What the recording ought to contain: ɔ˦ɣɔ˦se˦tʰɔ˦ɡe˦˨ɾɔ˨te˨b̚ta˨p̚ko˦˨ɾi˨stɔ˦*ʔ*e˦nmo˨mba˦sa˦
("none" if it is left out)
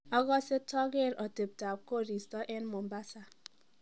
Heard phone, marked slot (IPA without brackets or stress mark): ʔ